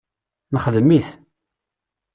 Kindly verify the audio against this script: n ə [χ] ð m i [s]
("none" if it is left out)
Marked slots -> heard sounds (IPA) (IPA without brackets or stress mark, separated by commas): χ, θ